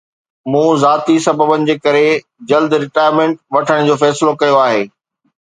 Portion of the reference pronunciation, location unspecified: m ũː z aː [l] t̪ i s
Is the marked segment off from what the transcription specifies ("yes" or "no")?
yes